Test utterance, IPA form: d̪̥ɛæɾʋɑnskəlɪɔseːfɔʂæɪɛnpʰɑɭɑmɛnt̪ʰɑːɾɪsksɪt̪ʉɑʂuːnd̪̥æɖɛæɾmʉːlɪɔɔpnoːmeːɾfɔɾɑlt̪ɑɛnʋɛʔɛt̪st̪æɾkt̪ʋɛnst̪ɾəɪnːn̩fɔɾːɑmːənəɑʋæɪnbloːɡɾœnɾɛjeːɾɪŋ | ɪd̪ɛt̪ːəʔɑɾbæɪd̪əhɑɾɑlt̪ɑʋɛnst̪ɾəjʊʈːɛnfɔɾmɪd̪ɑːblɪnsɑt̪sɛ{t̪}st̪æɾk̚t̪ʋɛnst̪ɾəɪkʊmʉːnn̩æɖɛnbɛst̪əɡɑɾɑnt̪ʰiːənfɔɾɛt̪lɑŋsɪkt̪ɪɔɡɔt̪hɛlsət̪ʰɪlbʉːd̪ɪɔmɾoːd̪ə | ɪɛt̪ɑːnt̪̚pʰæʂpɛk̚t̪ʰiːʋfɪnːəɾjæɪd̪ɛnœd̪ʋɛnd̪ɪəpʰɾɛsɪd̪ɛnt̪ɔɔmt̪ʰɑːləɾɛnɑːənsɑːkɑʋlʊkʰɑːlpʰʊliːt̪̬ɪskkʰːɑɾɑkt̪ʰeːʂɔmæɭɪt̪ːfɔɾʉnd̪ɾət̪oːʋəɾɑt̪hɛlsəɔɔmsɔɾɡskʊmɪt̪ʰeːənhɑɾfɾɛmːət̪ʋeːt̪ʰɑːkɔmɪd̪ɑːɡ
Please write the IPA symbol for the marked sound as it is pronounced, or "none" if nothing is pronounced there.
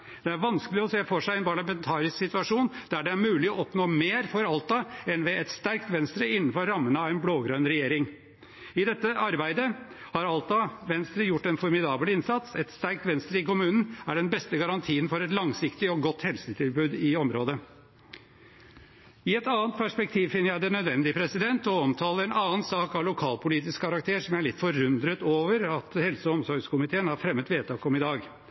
t̪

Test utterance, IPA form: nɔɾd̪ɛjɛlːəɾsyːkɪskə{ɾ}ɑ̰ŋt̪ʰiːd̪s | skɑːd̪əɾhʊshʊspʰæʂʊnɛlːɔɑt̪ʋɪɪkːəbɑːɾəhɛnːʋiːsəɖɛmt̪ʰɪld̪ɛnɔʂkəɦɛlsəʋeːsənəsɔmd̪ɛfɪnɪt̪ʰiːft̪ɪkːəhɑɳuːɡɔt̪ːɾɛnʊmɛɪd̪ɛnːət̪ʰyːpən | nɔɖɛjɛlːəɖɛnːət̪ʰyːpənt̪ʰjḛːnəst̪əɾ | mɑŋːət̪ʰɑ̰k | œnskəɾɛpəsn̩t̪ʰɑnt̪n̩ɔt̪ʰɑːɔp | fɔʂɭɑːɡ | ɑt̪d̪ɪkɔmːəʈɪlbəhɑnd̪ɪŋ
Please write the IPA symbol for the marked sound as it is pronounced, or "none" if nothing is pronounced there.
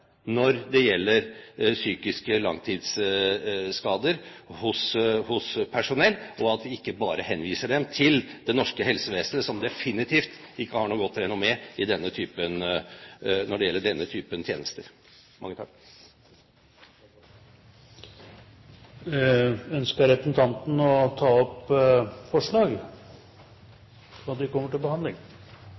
l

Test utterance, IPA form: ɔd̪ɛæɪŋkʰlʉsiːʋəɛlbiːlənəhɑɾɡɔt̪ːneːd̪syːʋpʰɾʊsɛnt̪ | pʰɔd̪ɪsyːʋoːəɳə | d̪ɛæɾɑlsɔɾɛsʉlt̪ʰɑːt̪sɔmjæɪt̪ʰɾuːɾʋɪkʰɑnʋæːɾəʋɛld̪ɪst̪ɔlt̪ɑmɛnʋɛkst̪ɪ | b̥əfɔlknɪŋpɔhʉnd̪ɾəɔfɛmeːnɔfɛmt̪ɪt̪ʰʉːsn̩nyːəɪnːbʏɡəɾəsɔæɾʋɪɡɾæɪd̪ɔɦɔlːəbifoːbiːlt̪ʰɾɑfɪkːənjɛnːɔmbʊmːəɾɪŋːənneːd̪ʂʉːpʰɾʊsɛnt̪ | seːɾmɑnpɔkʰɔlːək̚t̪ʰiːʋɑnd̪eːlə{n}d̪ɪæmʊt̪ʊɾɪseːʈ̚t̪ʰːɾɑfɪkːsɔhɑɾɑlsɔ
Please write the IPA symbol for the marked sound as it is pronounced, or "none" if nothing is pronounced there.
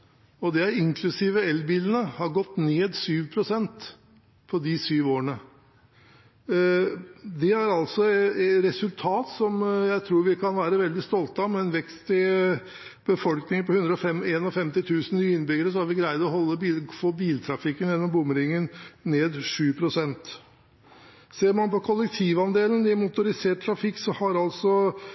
n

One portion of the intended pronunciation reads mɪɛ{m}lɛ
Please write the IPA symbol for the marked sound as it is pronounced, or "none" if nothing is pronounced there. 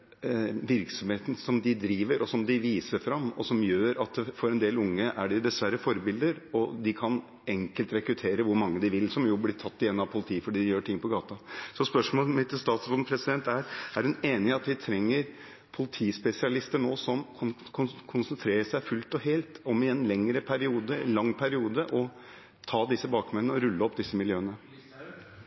n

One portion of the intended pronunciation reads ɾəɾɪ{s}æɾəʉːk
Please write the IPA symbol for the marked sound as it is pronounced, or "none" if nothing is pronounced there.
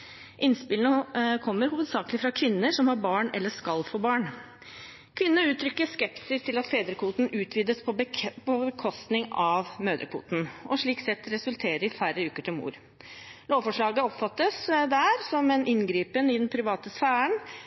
f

